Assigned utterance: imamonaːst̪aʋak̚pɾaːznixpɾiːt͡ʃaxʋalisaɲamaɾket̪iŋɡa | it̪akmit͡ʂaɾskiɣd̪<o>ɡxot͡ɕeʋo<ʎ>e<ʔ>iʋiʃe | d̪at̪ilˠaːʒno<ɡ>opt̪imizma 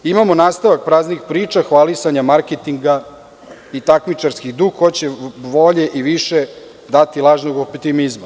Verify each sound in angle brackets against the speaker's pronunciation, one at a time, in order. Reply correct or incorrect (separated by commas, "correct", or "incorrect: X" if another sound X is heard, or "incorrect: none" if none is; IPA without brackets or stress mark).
incorrect: u, correct, correct, correct